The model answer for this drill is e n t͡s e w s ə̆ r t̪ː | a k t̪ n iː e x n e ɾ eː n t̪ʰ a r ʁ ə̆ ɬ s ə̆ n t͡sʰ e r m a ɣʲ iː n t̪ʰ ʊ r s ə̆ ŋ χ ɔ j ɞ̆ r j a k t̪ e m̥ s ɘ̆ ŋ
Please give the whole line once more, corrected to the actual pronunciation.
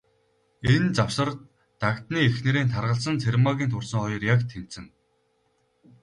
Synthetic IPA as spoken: e n t͡s a w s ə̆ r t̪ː | a k t̪ n iː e x n e ɾ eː n t̪ʰ a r ʁ ə̆ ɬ s ə̆ n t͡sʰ e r m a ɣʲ iː n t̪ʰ ʊ r s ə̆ ŋ χ ɔ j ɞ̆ r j a k t̪ʰ e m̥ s ɘ̆ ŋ